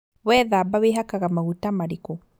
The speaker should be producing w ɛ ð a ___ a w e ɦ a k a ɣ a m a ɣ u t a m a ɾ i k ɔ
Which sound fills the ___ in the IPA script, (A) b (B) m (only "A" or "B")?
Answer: A